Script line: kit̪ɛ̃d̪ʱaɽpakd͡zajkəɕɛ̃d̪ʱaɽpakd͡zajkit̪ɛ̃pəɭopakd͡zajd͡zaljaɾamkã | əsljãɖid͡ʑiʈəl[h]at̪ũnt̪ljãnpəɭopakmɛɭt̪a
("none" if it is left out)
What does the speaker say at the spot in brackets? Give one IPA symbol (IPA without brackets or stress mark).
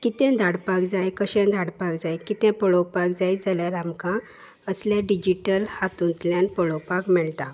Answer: h